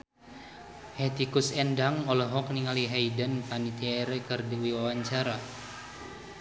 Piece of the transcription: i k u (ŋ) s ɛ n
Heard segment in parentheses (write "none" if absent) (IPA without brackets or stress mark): none